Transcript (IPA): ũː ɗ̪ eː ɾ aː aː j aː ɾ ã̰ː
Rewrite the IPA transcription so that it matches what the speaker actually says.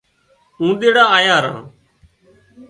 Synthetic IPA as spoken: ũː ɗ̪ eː ɽ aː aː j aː ɾ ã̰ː